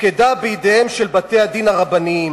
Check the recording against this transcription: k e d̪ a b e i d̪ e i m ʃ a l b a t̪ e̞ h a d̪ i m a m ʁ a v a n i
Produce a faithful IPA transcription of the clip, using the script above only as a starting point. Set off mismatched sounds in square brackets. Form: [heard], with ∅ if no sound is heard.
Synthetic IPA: k e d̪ a b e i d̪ e [e] m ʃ [e] l b a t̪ e̞ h a d̪ i [n] a [∅] ʁ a [b] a n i